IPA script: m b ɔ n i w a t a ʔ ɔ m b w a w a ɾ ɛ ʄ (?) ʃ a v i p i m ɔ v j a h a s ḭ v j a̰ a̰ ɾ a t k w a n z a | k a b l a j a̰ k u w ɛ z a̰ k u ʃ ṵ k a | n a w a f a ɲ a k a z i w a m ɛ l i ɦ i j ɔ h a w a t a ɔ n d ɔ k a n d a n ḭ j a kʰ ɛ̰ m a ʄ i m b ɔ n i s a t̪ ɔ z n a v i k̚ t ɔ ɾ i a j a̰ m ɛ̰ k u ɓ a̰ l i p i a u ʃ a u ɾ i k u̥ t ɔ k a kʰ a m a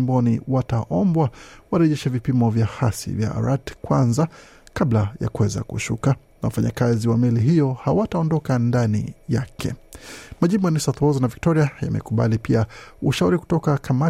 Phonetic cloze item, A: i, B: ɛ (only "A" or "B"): B